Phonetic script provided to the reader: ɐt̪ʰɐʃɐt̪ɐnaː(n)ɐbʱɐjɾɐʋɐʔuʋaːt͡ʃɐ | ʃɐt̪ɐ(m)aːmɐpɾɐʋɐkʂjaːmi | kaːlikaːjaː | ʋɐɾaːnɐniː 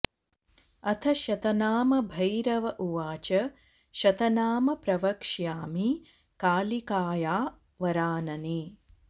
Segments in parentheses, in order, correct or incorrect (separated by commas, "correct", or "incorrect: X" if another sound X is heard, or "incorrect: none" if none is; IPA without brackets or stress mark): incorrect: m, incorrect: n